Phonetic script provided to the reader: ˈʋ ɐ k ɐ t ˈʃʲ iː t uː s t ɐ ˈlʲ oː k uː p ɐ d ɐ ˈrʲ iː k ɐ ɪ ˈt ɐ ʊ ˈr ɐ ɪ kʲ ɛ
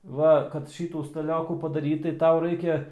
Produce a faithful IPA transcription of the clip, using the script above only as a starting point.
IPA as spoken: ˈʋ ɐ k ɐ t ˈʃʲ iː t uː s t ɐ ˈlʲ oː k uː p ɐ d ɐ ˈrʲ iː t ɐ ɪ ˈt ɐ ʊ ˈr ɐ ɪ kʲ ɛ